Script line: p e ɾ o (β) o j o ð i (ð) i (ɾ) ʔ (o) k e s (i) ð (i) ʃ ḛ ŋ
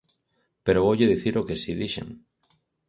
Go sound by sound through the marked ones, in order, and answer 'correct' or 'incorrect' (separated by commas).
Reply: correct, incorrect, correct, correct, correct, correct